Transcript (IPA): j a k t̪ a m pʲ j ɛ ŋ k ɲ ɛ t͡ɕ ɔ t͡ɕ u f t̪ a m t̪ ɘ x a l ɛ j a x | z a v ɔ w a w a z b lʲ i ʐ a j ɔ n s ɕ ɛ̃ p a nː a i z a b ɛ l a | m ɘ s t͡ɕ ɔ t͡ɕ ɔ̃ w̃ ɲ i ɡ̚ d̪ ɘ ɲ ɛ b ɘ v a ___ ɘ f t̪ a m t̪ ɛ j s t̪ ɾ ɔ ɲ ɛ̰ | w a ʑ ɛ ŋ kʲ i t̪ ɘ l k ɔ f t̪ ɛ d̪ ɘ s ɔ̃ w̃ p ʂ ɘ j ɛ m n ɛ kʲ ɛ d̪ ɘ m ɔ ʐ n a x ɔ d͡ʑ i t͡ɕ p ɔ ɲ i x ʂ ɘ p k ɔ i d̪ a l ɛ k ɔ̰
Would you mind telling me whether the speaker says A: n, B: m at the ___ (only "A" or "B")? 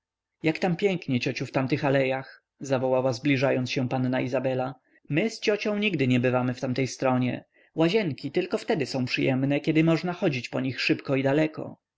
B